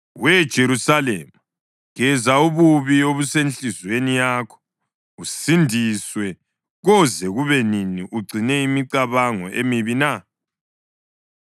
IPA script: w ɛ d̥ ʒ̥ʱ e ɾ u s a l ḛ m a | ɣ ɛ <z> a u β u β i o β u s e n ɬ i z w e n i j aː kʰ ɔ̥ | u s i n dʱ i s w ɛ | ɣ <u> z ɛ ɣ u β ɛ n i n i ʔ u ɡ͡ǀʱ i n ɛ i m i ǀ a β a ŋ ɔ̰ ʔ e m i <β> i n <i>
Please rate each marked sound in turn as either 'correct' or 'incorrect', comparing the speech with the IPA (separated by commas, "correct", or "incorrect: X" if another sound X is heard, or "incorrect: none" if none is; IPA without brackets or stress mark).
correct, incorrect: ɔ, correct, incorrect: a